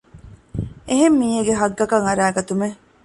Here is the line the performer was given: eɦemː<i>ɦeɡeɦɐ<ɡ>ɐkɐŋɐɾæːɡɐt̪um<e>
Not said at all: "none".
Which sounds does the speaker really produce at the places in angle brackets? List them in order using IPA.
iː, ɡː, e

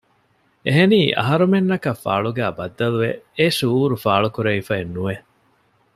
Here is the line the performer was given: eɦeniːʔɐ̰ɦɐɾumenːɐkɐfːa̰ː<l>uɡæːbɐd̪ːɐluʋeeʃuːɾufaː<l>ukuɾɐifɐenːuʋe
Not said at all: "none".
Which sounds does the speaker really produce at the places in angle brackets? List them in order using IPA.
ɭ, ɭ

